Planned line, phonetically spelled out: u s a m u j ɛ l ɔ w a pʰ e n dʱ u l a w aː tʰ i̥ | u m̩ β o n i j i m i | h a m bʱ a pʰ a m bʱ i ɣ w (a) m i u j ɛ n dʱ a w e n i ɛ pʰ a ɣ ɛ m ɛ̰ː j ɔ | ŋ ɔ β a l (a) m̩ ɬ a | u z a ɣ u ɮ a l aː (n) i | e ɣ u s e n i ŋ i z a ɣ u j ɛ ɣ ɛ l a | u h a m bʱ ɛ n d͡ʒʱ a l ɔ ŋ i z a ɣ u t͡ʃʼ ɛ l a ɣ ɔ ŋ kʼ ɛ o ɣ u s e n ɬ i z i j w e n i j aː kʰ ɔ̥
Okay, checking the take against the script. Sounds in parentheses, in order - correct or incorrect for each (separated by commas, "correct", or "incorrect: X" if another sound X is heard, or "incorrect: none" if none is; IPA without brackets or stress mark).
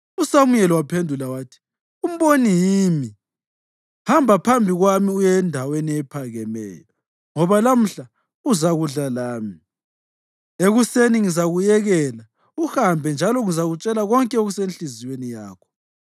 correct, correct, incorrect: m